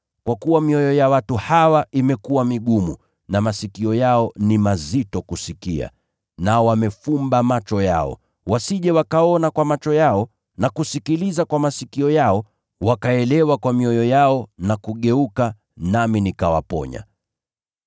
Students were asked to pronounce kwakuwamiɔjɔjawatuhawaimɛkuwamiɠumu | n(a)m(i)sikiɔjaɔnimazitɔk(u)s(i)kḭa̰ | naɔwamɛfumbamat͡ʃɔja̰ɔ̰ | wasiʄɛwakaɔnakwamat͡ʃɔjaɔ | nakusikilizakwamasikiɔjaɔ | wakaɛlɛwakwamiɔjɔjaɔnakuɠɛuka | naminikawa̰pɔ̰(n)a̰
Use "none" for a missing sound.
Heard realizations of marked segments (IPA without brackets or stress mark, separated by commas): a, a, u, i, ɲ